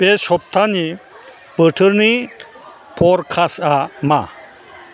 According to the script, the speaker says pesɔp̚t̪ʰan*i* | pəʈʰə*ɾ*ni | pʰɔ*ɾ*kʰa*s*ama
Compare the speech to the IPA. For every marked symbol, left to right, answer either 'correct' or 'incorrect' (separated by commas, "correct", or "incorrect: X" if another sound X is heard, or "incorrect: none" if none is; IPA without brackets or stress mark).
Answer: correct, correct, correct, correct